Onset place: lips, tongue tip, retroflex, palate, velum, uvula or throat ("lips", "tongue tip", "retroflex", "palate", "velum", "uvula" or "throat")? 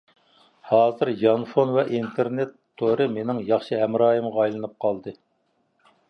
throat